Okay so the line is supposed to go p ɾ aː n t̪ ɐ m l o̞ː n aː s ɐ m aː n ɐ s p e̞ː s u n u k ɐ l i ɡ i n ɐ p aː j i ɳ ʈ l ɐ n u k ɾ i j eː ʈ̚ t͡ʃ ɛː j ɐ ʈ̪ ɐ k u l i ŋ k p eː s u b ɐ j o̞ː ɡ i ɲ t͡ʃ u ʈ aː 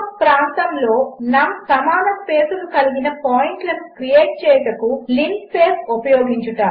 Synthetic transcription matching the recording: p ɾ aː n t̪ ɐ m l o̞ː n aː s ɐ m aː n ɐ s p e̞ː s u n u k ɐ l i ɡ i n ɐ p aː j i ɳ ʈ l ɐ n u k ɾ i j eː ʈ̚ t͡ʃ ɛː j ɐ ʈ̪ ɐ k u l i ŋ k p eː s u p ɐ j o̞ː ɡ i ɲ t͡ʃ u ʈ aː